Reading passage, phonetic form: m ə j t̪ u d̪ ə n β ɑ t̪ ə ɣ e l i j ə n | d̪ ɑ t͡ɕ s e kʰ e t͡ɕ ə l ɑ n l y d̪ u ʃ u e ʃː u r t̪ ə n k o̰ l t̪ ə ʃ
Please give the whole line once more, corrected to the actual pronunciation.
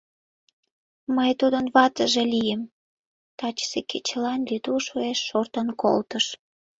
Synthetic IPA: m ə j t̪ u d̪ ə n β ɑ t̪ ə ʒ e l i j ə m | t̪ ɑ t͡ɕ s e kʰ e t͡ɕ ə l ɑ n l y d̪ u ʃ u e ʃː o r t̪ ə n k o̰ l t̪ ə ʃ